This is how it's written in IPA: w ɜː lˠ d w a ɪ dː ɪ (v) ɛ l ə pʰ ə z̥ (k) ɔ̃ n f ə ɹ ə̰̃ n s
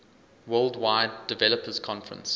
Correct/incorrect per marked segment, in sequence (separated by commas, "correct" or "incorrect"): correct, incorrect